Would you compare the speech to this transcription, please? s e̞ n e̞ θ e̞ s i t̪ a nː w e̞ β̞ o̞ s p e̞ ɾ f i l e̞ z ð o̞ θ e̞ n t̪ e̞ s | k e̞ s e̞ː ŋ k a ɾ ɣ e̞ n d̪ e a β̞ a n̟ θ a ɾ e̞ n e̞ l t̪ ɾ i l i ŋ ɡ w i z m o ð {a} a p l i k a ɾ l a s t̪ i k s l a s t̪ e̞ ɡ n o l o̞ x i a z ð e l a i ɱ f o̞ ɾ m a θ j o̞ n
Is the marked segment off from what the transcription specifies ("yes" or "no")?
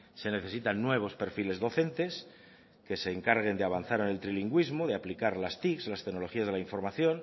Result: yes